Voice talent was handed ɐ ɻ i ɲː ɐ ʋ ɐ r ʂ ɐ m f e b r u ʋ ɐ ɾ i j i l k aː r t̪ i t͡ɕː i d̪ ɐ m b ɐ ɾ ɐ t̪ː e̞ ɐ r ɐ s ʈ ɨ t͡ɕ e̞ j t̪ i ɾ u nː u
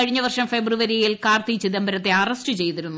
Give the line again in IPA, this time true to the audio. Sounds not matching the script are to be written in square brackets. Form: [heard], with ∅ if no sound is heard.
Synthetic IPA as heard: ɐ ɻ i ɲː ɐ ʋ ɐ r ʂ ɐ m f e b r u ʋ ɐ ɾ i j i l k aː r t̪ i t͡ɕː i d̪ ɐ m b ɐ ɾ ɐ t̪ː e̞ ɐ r ɐ s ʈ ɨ t͡ɕ e̞ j t̪ i ɾ u nː u